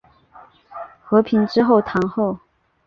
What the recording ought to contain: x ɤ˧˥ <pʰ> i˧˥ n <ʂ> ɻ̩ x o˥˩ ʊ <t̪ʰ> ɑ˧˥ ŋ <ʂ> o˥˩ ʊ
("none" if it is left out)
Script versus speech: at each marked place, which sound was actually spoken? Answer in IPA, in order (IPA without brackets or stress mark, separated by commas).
pʰ, ʈ͡ʂ, t̪ʰ, x